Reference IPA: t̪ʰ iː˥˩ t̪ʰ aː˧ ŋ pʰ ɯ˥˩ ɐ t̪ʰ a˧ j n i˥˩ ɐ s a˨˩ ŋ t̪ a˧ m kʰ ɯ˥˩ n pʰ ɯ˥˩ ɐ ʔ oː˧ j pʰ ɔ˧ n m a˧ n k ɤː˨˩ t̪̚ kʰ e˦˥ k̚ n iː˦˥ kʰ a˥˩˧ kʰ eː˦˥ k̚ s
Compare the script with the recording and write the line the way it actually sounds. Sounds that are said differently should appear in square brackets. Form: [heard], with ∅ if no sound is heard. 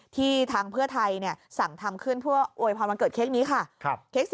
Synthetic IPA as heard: t̪ʰ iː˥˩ t̪ʰ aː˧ ŋ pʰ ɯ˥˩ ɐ t̪ʰ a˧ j n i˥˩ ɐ s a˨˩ ŋ [t̪ʰ] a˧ m kʰ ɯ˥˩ n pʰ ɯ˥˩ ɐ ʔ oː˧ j pʰ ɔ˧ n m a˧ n k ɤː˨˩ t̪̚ kʰ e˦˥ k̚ n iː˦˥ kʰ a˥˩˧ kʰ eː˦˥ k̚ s